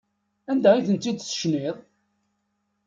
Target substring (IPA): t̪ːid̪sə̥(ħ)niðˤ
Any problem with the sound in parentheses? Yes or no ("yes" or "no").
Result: yes